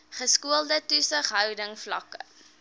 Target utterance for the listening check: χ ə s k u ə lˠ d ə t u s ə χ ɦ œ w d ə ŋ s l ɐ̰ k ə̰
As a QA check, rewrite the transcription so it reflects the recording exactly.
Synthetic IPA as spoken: χ ə s k u ə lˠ d ə t u s ə χ ɦ œ w d ə ŋ f l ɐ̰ k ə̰